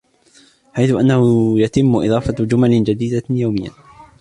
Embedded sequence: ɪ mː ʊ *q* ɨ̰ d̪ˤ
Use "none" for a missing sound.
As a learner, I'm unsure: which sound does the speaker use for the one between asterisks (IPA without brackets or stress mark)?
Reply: ʔ